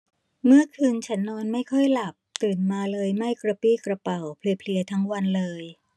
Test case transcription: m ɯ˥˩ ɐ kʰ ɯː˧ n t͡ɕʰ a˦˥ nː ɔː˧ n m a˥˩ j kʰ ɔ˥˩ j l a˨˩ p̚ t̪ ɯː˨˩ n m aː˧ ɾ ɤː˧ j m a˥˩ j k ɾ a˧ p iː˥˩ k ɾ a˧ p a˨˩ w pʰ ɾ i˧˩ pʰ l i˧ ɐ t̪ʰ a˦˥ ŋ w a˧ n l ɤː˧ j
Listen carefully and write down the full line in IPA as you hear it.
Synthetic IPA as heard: m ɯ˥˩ ɐ kʰ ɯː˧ n t͡ɕʰ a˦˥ nː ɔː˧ n m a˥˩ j kʰ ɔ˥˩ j l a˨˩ p̚ t̪ ɯː˨˩ n m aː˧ l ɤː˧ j m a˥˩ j k ɾ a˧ p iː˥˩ k ɾ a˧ p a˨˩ w pʰ l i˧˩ pʰ l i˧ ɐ t̪ʰ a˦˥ ŋ w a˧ n l ɤː˧ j

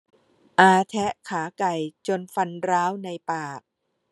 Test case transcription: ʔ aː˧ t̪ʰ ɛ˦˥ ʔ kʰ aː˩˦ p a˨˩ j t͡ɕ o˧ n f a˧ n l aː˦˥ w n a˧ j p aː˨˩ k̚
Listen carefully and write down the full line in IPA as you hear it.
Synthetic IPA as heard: ʔ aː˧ t̪ʰ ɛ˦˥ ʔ kʰ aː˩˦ k a˨˩ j t͡ɕ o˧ n f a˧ n ɾ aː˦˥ w n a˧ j p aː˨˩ k̚

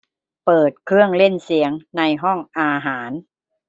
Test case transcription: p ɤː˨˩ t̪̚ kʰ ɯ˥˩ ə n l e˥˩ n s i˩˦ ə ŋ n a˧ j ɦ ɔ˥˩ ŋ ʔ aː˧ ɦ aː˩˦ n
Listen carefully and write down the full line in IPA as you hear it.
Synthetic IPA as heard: p ɤː˨˩ t̪̚ kʰ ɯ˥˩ ə ŋ l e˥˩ n s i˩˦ ə ŋ n a˧ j ɦ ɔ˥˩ ŋ ʔ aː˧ ɦ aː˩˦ n

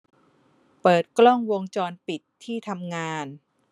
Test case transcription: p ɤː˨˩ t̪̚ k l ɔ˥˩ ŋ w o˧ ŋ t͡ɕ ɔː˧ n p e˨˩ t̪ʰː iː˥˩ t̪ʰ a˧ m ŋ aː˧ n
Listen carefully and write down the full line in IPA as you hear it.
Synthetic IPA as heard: p ɤː˨˩ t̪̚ k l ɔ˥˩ ŋ w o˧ ŋ t͡ɕ ɔː˧ n p i˨˩ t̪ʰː iː˥˩ t̪ʰ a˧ m ŋ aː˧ n

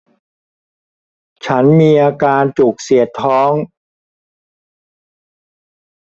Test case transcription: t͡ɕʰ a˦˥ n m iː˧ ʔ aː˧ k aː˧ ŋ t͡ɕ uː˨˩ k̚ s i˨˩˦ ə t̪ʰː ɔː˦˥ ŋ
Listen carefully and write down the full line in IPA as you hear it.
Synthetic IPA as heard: t͡ɕʰ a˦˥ n m iː˧ ʔ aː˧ k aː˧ n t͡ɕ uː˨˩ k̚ s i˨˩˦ ə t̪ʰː ɔː˦˥ ŋ

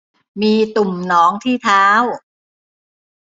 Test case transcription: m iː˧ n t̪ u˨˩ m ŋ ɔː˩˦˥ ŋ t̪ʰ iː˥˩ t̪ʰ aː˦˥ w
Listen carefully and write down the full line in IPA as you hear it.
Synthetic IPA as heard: m iː˧ t̪ u˨˩ m n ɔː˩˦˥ ŋ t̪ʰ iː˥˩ t̪ʰ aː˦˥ w

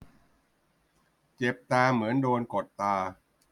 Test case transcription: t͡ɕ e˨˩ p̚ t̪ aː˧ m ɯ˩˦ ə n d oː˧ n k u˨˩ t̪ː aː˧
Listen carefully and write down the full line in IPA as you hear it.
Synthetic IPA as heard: t͡ɕ e˨˩ p̚ t̪ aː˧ m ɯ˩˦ ə n d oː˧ n k o˨˩ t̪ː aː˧

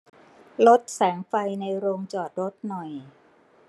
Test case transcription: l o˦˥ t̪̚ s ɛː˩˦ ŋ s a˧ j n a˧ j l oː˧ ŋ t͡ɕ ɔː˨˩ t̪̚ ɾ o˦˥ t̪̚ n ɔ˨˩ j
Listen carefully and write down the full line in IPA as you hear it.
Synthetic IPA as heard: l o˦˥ t̪̚ s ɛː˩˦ ŋ f a˧ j n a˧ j ɾ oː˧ ŋ t͡ɕ ɔː˨˩ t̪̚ ɾ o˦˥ t̪̚ n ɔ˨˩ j

